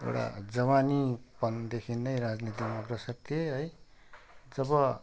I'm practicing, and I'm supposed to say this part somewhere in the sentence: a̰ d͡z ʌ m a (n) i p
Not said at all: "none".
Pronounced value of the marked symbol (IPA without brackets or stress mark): n